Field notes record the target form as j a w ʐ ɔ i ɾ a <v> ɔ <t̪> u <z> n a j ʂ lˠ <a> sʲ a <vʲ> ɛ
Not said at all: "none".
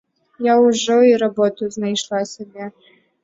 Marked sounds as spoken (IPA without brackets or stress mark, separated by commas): b, t̪, z, a, bʲ